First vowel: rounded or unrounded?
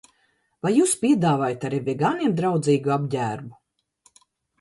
unrounded